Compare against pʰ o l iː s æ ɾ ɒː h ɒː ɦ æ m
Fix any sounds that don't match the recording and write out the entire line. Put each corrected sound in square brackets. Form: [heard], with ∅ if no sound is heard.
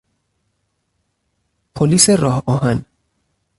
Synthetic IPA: pʰ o l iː s [e] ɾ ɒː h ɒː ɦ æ [n]